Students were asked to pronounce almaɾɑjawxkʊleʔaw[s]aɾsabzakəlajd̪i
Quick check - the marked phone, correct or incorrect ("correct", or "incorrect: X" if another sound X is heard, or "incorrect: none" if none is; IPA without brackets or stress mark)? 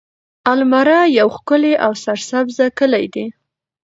correct